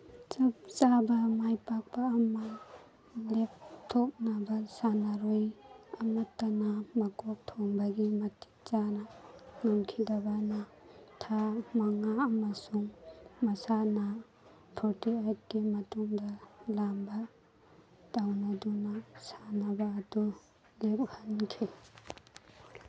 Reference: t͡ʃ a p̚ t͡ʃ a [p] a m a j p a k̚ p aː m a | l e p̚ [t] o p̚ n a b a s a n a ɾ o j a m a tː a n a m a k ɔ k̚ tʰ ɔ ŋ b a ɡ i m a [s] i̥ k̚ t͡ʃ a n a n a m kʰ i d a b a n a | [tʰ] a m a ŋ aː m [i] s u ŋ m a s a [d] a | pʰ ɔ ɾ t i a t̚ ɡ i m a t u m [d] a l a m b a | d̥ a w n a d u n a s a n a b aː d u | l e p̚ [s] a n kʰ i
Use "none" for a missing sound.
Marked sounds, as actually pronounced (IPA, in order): b, tʰ, t, tʰ, a, n, d, h

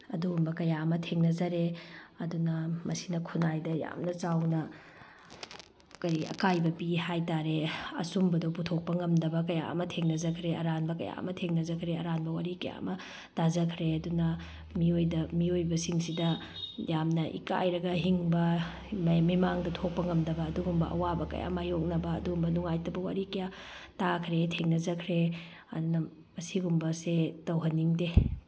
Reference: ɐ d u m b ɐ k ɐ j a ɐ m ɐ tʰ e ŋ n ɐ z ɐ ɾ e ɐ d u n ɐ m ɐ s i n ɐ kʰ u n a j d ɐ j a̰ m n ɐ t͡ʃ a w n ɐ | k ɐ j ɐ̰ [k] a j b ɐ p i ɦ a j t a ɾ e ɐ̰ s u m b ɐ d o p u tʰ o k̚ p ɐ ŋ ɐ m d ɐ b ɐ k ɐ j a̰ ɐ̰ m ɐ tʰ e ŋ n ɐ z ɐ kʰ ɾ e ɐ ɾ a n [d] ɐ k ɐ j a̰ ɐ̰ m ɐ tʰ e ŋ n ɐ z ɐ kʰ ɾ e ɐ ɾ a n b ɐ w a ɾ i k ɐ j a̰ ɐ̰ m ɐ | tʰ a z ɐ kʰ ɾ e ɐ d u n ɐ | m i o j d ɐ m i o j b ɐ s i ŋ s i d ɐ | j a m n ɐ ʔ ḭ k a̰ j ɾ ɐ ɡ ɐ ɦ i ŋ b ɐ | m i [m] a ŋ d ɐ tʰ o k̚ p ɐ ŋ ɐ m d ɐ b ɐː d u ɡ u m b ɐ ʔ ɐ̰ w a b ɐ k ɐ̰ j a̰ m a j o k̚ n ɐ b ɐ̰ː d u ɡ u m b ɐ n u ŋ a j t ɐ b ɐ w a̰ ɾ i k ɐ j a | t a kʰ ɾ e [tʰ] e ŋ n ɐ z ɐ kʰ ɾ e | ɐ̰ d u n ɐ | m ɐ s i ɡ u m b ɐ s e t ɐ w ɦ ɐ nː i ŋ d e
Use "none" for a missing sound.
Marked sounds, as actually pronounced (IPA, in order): k, b, m, tʰ

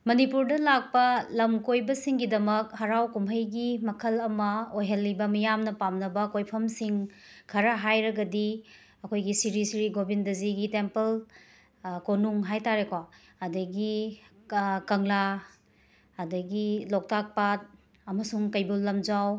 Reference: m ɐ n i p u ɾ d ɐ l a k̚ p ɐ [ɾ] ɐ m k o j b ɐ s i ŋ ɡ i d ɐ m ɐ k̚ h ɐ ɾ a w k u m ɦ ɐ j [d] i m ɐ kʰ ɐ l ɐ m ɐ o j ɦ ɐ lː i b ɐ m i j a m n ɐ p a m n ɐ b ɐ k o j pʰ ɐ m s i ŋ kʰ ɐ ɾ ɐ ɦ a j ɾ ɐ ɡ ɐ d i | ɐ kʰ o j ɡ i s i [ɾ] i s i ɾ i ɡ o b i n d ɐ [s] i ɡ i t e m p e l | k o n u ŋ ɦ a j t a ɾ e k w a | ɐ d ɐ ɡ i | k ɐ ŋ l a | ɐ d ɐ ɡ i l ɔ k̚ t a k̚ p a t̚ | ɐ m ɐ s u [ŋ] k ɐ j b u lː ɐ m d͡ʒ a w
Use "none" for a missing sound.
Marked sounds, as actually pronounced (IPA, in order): l, ɡ, ɾ, z, ŋ

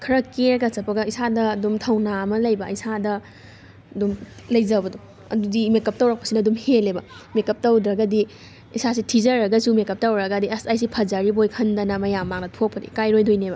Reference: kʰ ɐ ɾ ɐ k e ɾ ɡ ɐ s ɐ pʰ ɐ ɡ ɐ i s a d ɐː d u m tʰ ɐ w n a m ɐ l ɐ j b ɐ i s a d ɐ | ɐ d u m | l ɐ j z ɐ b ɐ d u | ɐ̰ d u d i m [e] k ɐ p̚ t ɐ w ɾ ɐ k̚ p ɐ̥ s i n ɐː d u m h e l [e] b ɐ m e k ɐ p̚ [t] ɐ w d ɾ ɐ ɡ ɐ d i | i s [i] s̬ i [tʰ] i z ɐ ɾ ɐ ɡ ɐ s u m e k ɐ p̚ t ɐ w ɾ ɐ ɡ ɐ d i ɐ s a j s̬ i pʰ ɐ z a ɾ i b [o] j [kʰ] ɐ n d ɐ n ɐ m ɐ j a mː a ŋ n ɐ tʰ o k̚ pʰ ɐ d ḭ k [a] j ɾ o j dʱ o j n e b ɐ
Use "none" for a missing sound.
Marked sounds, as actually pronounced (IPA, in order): e, e, t, a, tʰ, o, kʰ, a

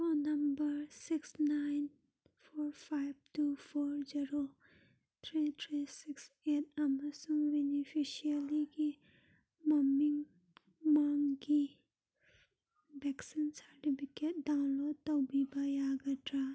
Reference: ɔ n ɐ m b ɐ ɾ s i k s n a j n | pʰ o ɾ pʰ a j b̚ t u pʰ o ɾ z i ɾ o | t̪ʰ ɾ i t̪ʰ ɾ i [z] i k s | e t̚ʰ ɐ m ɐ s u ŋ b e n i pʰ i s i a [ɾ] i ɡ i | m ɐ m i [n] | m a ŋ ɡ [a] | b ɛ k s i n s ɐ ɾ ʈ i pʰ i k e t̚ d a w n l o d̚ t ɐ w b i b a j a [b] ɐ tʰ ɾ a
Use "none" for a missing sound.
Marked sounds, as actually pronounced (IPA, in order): s, l, ŋ, i, ɡ

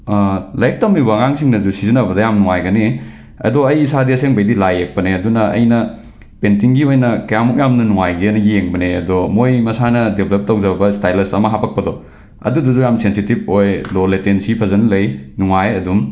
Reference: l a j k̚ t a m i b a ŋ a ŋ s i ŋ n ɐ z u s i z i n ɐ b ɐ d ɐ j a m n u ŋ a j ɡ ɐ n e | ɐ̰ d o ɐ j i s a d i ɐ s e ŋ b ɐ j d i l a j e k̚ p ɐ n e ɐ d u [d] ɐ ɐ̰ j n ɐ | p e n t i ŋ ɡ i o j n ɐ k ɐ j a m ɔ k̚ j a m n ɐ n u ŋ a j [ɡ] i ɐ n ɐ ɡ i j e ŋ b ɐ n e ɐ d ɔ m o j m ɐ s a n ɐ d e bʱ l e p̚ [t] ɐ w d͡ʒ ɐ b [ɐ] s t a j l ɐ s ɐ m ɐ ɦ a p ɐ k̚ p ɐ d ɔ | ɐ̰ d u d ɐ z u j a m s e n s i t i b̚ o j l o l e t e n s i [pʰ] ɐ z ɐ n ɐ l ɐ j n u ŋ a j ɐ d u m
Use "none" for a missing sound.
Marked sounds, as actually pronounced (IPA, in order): n, ɡ, t, ɐ, pʰ

